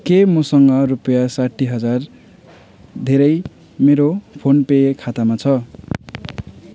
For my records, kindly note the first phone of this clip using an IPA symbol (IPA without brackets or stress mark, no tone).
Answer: k